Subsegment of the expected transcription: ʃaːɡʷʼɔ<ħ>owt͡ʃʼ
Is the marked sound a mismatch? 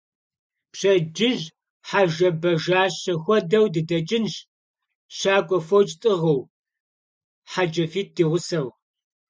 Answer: yes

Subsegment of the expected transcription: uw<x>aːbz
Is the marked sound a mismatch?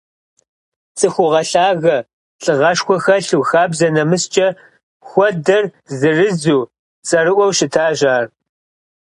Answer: no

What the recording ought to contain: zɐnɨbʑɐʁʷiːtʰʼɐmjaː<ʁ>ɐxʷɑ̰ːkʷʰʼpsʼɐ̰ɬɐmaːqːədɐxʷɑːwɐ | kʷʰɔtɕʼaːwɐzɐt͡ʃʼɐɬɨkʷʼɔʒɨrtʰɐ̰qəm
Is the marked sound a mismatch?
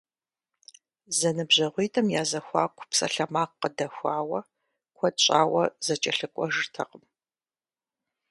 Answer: yes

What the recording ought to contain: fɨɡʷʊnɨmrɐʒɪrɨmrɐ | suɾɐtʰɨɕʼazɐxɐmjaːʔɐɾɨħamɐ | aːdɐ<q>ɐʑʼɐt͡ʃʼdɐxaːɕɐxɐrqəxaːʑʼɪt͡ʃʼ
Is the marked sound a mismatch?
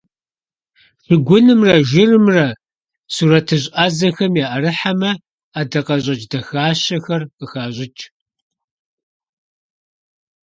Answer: no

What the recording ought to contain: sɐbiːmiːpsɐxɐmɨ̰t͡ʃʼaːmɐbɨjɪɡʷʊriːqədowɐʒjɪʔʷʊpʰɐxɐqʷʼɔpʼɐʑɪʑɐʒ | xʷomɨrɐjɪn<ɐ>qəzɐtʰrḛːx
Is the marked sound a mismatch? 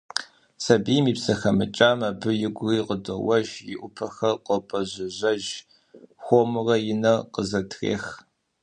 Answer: no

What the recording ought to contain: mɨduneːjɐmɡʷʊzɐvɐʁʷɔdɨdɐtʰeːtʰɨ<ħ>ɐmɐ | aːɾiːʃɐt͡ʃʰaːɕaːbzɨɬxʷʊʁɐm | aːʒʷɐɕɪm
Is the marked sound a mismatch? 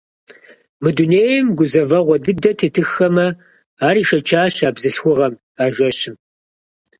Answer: yes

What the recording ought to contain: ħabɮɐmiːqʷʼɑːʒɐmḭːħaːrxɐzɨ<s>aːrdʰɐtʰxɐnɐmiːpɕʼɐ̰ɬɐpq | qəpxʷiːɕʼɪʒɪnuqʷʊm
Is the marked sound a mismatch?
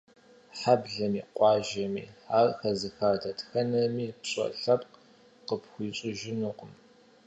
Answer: yes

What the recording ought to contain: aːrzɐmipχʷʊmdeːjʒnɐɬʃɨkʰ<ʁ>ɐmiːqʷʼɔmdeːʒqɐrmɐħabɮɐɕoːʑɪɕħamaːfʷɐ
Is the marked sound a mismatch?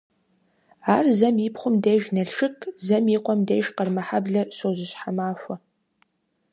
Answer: yes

